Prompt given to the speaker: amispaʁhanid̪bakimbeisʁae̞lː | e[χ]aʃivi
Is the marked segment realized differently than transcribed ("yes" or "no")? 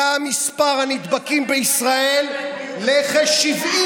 no